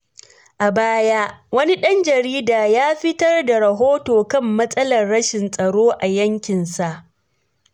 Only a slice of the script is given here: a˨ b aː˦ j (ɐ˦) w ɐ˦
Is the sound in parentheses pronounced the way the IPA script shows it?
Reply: no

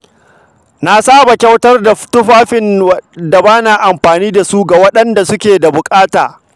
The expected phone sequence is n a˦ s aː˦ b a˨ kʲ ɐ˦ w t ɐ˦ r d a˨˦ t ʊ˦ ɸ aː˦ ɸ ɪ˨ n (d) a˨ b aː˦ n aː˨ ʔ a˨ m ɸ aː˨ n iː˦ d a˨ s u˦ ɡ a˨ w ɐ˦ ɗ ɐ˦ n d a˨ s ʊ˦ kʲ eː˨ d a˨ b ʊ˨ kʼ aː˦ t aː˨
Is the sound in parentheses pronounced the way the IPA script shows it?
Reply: yes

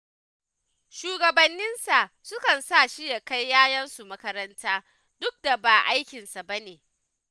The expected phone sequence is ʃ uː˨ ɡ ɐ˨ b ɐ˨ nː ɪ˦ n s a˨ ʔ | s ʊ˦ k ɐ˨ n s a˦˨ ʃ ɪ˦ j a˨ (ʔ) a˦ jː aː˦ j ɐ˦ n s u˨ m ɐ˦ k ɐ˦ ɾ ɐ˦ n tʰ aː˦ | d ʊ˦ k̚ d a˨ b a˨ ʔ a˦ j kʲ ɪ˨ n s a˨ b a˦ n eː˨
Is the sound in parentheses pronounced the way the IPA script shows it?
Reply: no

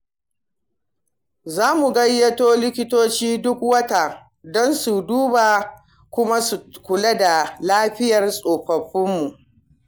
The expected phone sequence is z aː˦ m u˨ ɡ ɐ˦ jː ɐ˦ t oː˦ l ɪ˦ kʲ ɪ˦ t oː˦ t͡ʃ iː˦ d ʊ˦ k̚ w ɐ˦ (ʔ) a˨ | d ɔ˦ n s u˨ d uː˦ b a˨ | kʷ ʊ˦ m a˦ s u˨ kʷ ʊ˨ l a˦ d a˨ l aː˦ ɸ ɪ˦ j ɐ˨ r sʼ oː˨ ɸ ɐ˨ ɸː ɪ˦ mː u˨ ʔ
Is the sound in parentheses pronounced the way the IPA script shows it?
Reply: no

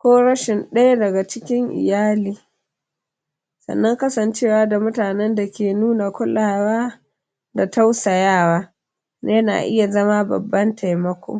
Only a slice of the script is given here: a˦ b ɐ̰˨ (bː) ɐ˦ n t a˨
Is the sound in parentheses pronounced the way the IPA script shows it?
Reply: yes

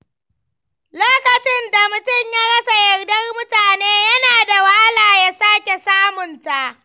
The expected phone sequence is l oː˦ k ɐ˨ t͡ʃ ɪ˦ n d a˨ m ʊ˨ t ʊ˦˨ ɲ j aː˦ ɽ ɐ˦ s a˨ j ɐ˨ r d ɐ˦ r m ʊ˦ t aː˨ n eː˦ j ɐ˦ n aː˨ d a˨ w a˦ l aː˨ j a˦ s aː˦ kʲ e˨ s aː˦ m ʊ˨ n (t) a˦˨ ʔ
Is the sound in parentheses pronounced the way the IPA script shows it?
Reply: yes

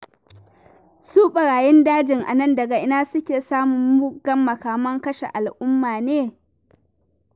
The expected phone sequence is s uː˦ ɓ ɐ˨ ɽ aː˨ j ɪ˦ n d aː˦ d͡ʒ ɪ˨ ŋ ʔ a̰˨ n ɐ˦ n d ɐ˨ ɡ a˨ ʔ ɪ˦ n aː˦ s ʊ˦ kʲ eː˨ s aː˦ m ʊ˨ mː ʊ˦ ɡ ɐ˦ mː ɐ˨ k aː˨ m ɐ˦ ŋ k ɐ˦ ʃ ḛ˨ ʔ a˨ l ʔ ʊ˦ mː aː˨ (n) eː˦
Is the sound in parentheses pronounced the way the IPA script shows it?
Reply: yes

